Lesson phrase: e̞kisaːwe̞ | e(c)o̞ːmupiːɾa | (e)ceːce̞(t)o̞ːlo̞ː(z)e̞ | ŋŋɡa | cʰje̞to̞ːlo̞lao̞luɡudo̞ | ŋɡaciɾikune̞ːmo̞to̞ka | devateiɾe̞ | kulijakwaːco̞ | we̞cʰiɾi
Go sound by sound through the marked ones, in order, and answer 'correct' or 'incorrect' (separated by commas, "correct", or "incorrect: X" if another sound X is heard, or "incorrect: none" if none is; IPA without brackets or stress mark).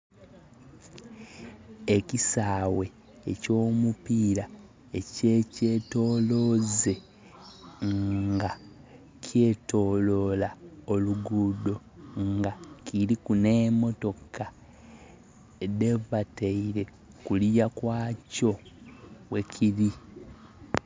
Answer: correct, correct, correct, correct